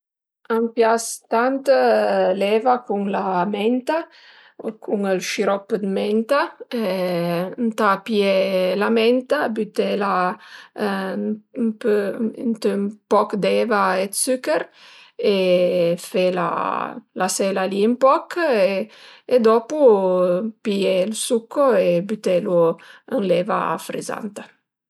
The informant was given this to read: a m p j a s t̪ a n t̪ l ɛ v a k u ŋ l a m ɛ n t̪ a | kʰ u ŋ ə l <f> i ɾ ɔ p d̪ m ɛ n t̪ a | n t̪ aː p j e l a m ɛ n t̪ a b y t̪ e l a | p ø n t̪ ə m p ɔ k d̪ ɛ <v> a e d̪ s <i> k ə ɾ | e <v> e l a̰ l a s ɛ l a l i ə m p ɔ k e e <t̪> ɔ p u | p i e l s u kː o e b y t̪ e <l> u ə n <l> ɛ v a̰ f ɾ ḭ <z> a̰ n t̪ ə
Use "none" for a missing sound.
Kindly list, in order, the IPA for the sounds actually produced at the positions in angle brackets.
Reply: ʃ, v, y, f, d̪, l, l, z

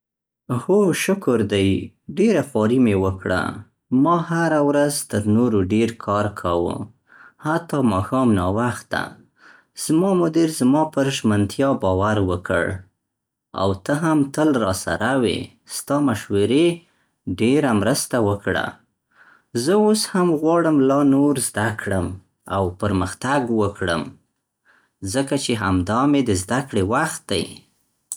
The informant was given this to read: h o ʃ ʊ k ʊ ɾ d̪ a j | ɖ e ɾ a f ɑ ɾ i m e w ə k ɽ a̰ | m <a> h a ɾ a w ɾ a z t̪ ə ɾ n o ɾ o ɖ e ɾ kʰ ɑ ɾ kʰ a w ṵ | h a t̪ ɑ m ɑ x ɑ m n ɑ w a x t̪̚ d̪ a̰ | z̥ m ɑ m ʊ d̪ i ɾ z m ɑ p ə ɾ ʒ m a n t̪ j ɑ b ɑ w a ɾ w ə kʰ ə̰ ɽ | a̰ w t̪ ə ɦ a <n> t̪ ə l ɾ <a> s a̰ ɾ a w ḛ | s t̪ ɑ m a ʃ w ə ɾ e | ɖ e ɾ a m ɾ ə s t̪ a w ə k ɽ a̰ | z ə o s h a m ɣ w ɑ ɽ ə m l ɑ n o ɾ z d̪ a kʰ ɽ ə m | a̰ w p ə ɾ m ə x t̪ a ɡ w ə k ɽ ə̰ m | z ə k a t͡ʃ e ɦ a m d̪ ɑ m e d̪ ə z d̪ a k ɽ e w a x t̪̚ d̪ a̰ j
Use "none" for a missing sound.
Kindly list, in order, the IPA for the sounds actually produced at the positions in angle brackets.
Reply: ɑ, m, ɑ

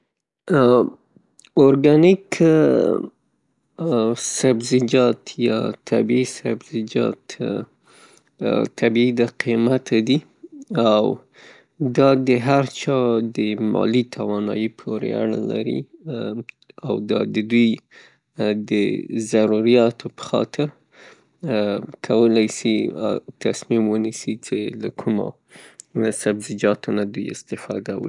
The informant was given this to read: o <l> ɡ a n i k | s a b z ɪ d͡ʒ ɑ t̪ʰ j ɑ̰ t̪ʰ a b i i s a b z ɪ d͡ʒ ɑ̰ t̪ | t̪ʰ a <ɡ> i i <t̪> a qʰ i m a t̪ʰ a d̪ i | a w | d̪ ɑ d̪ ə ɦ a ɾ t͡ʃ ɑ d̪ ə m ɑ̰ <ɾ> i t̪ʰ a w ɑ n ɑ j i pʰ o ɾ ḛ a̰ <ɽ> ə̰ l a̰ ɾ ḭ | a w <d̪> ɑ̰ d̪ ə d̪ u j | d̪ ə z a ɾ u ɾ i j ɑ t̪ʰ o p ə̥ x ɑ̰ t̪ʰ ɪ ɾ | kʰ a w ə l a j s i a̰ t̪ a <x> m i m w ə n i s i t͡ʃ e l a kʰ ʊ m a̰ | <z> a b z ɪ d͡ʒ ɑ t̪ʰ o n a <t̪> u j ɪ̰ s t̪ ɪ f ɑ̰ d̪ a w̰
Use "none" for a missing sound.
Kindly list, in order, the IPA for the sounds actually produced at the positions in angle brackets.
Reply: ɾ, b, d̪, l, ɽ, d̪, s, s, d̪

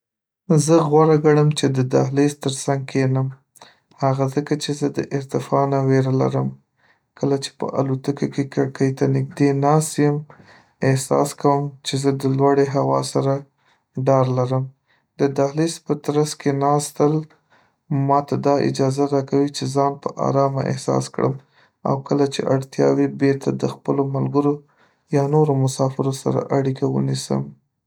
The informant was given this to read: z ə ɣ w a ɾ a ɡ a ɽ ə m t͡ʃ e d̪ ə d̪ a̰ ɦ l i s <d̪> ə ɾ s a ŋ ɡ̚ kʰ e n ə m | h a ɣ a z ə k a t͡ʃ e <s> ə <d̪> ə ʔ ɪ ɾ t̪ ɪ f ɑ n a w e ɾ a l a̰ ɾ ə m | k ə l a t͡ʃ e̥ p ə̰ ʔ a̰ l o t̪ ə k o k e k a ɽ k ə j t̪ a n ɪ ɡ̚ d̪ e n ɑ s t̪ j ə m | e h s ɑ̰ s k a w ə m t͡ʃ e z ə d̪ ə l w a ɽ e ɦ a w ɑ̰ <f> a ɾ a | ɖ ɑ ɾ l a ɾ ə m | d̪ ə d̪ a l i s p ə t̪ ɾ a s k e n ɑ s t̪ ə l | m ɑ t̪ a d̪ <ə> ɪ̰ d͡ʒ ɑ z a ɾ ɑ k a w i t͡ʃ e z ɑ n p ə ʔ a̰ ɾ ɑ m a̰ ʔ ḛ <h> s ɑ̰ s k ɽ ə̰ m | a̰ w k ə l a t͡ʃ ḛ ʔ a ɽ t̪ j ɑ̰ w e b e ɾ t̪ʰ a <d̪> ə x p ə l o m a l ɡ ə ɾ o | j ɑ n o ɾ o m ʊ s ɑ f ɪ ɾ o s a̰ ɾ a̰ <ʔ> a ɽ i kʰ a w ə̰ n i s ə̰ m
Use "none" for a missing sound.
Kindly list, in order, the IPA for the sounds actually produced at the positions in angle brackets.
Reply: t̪, z, d̪, s, ɑ, h, d̪, ʔ

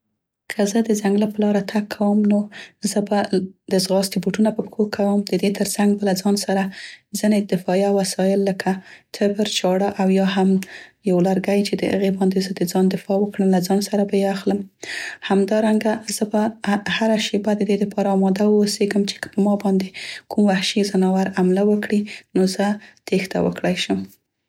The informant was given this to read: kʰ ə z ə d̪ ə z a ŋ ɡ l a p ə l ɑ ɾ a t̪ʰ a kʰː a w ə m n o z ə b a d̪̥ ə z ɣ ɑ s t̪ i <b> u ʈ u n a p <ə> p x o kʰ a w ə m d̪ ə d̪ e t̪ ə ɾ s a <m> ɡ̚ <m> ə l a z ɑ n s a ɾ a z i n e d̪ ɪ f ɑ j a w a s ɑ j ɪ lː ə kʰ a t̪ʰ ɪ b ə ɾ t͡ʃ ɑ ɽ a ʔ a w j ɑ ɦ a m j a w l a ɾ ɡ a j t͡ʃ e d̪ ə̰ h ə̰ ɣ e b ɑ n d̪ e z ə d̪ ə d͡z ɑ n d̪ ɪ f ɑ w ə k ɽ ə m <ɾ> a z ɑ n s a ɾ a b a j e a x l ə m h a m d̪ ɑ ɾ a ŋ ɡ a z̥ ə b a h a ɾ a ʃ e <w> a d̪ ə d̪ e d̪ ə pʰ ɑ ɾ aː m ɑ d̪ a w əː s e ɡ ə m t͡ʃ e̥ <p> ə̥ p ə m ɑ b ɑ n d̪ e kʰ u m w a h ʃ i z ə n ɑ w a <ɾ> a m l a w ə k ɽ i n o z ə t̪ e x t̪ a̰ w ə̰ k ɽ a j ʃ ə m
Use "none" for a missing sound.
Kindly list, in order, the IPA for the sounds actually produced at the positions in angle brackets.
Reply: b, ə, ŋ, b, l, b, k, ɾ

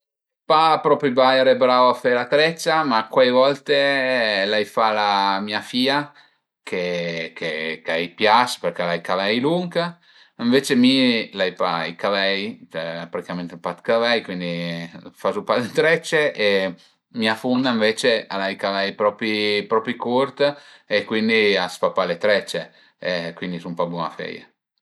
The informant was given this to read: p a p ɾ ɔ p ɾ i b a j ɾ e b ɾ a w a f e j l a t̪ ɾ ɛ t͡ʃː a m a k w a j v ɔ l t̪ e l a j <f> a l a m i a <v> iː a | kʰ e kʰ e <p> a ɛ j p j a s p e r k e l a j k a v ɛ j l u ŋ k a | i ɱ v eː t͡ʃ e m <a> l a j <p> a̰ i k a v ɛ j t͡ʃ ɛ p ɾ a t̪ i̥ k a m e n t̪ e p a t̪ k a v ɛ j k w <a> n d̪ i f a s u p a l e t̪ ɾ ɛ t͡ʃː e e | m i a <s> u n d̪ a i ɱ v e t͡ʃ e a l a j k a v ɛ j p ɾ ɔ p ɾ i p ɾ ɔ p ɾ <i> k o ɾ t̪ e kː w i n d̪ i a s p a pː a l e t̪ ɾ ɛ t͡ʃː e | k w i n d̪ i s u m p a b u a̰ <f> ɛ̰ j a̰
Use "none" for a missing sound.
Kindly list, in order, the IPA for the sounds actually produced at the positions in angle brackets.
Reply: f, f, k, i, p, i, f, i, f

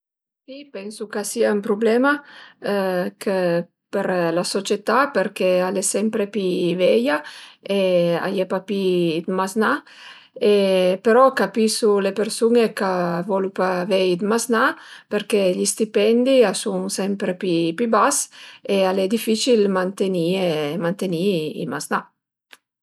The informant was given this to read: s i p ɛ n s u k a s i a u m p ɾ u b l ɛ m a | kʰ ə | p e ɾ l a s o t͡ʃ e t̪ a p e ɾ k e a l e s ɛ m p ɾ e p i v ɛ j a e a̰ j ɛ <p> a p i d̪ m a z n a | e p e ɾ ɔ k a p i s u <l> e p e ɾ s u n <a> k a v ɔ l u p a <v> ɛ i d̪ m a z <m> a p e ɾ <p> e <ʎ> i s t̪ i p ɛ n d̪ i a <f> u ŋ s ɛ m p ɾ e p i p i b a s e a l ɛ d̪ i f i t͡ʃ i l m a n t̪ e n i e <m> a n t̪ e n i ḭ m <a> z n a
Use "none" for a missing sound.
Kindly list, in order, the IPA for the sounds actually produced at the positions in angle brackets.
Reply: p, l, e, v, n, k, ʎ, s, m, a

